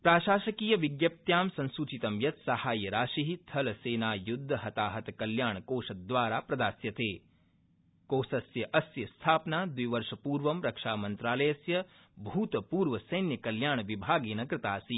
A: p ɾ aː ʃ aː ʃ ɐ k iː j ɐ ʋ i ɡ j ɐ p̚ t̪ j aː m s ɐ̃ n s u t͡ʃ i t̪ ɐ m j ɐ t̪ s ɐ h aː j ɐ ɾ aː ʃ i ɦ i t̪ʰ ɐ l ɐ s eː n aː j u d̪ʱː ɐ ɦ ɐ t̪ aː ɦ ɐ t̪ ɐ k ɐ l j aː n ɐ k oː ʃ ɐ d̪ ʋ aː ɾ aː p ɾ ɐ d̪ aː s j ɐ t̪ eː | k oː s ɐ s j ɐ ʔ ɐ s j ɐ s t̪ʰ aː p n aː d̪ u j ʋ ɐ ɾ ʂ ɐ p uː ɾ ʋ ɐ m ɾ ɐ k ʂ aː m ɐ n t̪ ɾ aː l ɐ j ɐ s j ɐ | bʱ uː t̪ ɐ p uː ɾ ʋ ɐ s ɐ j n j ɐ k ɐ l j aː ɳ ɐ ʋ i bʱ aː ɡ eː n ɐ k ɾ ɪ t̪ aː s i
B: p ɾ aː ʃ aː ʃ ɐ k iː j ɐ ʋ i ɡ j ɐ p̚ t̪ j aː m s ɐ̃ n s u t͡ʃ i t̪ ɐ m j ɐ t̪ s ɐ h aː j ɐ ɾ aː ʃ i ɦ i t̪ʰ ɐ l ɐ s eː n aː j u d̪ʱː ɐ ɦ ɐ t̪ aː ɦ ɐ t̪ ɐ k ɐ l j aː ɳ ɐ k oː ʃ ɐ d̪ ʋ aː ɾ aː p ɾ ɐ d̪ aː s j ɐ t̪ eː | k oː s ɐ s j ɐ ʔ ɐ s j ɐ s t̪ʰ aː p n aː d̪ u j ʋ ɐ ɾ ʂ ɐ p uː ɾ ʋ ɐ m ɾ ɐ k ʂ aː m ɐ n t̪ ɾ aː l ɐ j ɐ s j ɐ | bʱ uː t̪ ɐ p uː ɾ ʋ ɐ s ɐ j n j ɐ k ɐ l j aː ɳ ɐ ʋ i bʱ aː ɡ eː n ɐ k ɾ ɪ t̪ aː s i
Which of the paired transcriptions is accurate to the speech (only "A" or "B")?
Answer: B